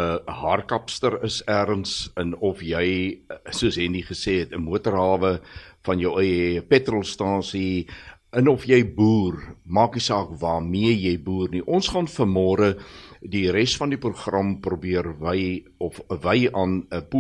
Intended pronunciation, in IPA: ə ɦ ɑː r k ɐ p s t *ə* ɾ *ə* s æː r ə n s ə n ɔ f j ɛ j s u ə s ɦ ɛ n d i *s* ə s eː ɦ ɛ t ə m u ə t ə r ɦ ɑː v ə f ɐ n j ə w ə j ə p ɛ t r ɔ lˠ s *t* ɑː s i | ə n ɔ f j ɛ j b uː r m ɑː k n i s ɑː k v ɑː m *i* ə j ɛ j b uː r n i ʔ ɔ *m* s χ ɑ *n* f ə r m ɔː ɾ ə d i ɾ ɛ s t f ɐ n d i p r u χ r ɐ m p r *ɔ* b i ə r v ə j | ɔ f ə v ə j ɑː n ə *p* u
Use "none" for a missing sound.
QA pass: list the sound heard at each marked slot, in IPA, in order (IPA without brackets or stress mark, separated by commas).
ə, ə, χ, t, i, n, n, u, p